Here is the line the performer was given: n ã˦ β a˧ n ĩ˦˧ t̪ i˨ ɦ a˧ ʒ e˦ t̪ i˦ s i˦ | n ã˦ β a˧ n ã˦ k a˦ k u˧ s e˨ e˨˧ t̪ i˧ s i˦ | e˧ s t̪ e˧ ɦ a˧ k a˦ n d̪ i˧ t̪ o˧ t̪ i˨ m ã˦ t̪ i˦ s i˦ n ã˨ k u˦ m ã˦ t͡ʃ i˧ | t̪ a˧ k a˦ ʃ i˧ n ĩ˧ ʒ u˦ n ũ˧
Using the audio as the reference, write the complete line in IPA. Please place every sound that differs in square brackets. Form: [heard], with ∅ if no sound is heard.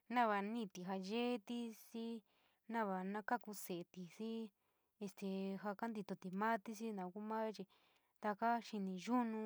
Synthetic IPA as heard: n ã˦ β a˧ n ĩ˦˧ t̪ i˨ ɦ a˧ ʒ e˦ t̪ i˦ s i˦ | n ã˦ β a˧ n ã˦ k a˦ k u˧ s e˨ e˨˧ t̪ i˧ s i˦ | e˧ s t̪ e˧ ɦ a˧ k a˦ n d̪ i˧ t̪ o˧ t̪ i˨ m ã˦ t̪ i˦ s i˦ n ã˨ k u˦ m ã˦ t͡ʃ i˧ | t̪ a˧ k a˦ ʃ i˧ n ĩ˧ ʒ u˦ n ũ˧